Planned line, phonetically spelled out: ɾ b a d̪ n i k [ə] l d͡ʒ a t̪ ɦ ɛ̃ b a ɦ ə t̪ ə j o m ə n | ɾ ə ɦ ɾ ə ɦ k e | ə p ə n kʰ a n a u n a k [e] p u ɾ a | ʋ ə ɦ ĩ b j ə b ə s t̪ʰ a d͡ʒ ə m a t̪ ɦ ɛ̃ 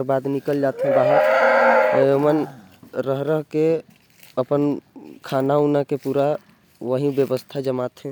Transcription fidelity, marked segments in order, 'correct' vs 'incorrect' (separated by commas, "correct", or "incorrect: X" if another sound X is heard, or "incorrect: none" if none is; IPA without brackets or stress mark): correct, correct